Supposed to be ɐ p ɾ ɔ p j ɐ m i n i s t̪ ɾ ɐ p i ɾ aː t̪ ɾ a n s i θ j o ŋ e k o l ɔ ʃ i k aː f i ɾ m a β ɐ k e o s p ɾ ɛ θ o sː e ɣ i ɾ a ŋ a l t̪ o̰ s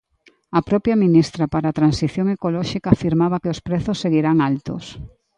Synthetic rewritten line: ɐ p ɾ ɔ p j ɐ m i n i s t̪ ɾ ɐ p a ɾ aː t̪ ɾ a n s i θ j o ŋ e k o l ɔ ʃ i k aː f i ɾ m a β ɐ k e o s p ɾ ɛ θ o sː e ɣ i ɾ a ŋ a l t̪ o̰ s